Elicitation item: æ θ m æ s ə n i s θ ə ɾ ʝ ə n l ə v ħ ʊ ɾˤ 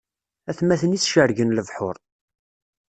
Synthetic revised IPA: æ θ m æ θ ə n i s ʃ ə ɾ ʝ ə n l ə v ħ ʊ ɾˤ